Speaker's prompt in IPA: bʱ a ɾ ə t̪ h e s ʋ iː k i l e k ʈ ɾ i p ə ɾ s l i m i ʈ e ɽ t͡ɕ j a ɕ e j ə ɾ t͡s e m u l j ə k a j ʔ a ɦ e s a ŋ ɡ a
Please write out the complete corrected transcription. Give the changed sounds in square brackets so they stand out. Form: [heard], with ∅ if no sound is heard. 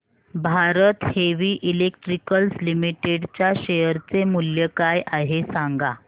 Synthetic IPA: bʱ a ɾ ə t̪ h e [∅] ʋ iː [ʔ] i l e k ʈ ɾ i [k] ə [l] s l i m i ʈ e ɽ t͡ɕ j a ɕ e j ə ɾ t͡s e m u l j ə k a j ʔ a ɦ e s a ŋ ɡ a